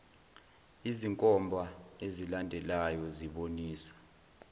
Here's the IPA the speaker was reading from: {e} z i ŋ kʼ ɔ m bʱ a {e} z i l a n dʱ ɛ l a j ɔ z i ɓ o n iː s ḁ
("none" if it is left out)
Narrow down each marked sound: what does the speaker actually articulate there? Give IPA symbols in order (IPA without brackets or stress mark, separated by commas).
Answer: i, e